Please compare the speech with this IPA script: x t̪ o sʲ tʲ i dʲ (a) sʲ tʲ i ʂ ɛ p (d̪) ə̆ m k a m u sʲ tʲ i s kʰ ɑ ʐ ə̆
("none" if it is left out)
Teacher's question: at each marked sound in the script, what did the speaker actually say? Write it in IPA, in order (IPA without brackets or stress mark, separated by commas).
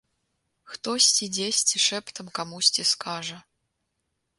e, t̪